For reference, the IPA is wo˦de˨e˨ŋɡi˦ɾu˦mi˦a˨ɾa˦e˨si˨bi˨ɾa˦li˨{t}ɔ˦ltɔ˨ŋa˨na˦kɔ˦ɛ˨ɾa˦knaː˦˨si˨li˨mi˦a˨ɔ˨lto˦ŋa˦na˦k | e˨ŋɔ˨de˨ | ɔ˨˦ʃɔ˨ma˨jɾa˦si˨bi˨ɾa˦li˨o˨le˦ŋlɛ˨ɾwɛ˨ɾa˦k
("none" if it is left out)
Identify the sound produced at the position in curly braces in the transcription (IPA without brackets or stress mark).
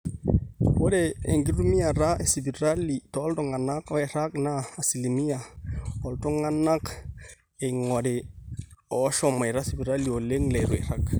t